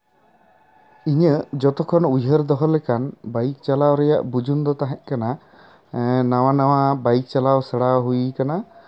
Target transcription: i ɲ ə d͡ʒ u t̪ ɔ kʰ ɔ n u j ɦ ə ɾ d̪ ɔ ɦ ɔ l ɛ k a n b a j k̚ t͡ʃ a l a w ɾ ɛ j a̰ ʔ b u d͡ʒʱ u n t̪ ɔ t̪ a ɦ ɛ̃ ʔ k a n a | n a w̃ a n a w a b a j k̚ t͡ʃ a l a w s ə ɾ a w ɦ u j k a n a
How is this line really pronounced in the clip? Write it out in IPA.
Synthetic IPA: i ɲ ə d͡ʒ ɔ t̪ ɔ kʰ ɔ n u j ɦ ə ɾ d̪ ɔ ɦ ɔ l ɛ k a n b a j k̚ t͡ʃ a l a w ɾ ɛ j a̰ ʔ b u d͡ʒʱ u n d̪ ɔ t̪ a ɦ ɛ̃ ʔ k a n a | n a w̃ a n a w a b a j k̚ t͡ʃ a l a w s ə ɽ a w ɦ u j k a n a